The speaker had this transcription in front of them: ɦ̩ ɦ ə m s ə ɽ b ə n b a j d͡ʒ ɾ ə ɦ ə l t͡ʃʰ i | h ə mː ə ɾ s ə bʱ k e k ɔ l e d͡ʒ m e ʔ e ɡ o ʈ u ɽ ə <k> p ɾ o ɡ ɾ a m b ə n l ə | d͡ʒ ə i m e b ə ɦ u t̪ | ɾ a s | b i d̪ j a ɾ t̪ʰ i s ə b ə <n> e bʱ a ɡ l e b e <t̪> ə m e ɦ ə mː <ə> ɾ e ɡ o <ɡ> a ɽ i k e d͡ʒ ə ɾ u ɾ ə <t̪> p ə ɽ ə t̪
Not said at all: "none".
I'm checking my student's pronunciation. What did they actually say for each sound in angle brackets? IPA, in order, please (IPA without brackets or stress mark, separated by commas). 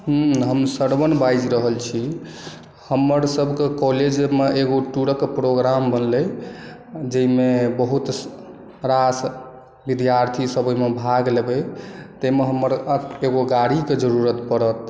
k, m, t̪, ə, ɡ, t̪